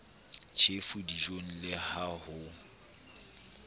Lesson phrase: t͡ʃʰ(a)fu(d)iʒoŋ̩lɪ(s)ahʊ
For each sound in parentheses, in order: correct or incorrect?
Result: incorrect, correct, incorrect

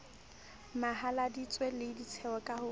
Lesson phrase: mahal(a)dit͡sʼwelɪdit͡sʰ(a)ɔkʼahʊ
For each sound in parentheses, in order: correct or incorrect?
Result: correct, incorrect

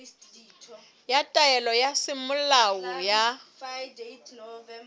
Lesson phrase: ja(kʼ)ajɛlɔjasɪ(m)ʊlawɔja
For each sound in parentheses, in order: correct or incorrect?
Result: incorrect, correct

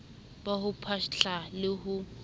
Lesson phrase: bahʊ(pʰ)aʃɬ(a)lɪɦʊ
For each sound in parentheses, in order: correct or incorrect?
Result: correct, correct

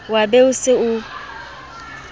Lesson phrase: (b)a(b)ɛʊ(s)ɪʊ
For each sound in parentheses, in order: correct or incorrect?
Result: incorrect, correct, correct

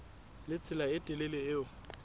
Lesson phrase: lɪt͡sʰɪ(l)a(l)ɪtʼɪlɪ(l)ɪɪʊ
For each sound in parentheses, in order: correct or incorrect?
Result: correct, incorrect, correct

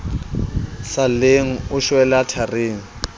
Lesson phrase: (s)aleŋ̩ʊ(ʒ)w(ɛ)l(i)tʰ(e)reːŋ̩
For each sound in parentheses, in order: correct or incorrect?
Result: correct, incorrect, correct, incorrect, incorrect

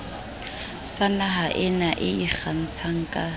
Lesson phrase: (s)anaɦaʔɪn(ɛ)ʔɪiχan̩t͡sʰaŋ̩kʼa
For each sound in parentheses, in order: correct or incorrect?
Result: correct, incorrect

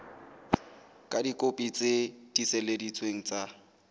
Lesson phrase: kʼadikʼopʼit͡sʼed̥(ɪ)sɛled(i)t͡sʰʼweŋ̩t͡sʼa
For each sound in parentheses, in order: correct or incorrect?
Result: incorrect, correct

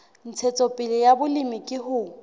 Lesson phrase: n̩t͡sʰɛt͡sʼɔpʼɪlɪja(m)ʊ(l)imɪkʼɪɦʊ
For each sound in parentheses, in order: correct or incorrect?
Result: incorrect, correct

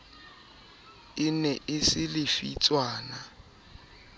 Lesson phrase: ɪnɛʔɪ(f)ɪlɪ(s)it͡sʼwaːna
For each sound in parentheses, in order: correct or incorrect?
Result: incorrect, incorrect

